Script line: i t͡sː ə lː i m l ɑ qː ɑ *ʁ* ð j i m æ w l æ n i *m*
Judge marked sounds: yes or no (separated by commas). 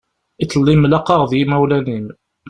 yes, yes